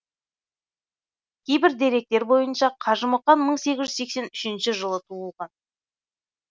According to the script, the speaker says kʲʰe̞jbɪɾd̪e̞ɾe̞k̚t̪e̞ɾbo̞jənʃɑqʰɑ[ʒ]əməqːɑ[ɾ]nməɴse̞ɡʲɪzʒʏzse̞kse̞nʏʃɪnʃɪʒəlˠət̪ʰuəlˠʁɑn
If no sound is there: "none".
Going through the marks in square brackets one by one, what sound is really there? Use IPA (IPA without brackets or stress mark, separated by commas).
ʒ, none